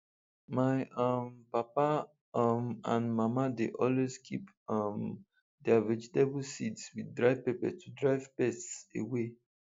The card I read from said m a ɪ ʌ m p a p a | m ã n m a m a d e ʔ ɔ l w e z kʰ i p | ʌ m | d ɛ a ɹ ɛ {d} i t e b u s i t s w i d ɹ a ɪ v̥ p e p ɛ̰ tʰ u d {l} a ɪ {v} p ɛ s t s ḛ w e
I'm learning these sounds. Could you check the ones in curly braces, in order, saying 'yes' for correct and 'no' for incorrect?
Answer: no, no, yes

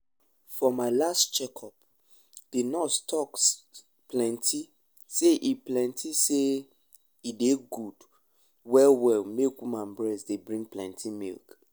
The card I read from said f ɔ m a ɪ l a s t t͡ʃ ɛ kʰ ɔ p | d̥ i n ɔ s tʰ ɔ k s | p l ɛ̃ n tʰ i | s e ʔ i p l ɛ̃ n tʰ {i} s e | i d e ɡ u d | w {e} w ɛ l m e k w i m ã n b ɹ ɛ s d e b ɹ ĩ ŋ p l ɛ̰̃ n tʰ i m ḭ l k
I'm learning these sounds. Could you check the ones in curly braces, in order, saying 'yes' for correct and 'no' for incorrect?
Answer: yes, no

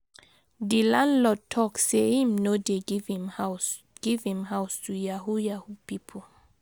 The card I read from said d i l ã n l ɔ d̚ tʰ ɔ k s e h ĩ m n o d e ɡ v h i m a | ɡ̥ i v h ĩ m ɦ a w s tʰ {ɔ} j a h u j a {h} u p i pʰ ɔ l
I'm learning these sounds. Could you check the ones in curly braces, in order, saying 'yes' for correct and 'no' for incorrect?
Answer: no, yes

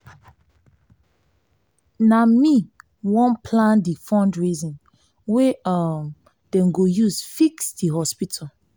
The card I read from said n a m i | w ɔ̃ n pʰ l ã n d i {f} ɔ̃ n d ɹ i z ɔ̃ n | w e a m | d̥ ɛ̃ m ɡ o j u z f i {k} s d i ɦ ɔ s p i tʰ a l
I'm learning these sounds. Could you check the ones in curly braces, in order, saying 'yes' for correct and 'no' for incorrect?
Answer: yes, yes

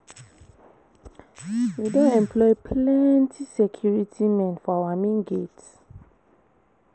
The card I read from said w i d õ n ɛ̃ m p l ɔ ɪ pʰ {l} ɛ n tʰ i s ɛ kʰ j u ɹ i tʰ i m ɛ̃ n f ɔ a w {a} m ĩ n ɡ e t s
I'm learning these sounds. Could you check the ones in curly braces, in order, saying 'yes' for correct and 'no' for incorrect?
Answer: yes, yes

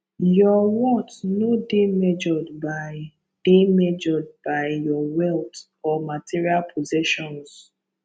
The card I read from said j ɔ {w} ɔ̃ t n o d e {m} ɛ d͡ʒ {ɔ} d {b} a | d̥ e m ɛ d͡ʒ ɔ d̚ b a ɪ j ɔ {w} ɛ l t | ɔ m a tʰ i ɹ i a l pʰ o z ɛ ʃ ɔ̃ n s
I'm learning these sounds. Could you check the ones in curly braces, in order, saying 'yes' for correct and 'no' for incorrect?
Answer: yes, yes, yes, yes, yes

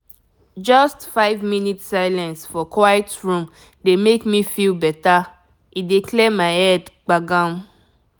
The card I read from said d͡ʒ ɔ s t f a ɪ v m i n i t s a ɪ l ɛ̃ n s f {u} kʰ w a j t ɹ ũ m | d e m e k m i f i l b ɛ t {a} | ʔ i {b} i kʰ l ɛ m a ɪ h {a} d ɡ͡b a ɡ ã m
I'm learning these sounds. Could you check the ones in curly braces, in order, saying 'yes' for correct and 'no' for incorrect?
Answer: no, yes, no, no

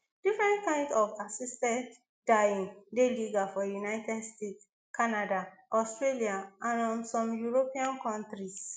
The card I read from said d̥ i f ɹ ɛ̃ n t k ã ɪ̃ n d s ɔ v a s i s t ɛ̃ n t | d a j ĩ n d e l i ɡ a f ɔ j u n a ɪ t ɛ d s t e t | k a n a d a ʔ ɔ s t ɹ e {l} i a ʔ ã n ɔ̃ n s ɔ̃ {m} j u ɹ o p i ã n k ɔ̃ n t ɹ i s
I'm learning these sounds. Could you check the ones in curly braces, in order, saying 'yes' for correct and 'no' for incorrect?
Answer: yes, yes

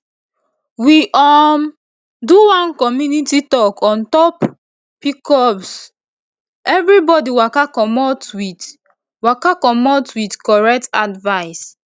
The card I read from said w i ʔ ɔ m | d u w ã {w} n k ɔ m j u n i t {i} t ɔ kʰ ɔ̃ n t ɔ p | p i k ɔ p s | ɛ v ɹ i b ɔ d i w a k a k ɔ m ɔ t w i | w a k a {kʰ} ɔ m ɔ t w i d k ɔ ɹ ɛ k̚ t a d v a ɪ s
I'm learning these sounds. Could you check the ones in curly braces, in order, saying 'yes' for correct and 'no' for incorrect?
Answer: no, yes, no

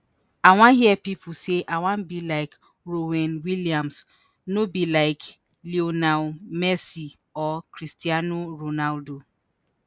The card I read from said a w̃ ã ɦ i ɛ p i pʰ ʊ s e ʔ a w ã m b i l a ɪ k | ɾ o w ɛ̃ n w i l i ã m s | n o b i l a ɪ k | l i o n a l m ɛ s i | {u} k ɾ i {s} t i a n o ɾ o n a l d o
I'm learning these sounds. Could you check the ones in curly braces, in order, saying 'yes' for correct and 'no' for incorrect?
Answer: no, yes

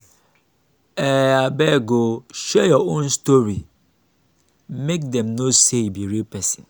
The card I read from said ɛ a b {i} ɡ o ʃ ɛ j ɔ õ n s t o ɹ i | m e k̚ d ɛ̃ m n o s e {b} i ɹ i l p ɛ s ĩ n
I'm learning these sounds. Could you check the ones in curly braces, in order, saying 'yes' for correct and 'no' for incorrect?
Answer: no, yes

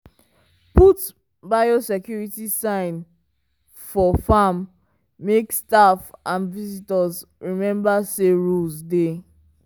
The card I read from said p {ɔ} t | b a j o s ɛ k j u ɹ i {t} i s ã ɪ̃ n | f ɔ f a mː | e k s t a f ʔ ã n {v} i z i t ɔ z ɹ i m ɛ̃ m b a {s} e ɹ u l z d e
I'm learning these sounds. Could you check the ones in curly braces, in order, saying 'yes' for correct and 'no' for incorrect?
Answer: no, yes, yes, yes

